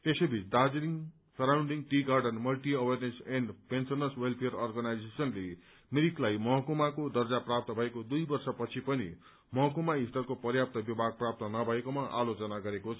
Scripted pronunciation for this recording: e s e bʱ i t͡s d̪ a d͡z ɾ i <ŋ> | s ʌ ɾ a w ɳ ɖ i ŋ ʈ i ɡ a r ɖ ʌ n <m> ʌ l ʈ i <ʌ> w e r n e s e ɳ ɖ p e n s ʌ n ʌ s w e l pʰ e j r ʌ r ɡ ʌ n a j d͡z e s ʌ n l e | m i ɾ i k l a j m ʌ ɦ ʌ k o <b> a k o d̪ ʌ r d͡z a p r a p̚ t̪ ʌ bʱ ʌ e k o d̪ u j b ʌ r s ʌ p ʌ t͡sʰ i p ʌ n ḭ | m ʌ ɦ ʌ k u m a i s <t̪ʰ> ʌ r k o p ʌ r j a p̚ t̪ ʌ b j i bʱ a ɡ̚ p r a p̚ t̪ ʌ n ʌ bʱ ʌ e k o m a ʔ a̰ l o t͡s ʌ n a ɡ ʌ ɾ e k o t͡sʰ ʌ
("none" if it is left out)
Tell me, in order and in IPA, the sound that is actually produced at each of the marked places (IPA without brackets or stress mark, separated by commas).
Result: ŋ, m, ʌ, m, t̪